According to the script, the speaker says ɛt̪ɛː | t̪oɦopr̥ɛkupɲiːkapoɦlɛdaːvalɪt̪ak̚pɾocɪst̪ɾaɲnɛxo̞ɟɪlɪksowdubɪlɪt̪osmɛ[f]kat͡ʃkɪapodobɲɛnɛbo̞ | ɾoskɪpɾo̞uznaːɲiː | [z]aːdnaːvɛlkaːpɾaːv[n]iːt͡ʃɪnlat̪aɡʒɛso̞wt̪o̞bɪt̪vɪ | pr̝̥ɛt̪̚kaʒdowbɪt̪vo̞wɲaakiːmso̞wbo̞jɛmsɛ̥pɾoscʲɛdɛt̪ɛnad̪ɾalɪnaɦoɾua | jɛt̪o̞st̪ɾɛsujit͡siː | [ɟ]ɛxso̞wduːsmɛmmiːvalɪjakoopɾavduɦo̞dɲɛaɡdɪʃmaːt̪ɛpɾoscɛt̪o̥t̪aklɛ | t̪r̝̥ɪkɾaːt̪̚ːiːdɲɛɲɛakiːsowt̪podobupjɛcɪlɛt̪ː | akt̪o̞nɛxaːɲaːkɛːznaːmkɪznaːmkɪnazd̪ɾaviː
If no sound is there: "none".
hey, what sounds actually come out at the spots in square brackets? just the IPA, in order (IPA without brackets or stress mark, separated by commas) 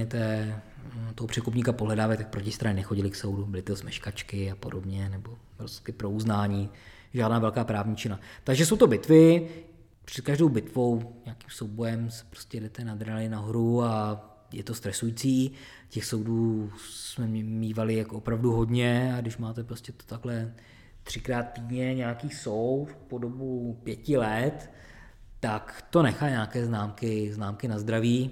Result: ʃ, ʒ, ɲ, c